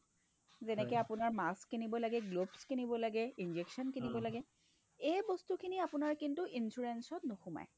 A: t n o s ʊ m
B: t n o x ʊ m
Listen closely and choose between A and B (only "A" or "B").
B